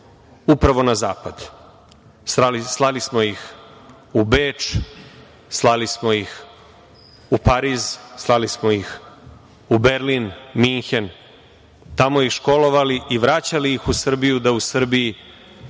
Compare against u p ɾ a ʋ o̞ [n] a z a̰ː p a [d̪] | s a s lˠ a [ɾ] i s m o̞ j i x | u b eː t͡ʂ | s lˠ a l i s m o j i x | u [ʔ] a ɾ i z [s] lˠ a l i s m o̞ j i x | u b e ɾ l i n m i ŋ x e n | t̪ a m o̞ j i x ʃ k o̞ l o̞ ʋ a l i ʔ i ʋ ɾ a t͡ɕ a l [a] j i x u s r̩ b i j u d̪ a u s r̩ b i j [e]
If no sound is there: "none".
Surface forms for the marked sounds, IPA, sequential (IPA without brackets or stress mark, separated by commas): n, d̪, l, p, s, i, i